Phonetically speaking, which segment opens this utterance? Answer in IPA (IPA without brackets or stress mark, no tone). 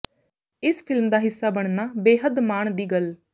ɪ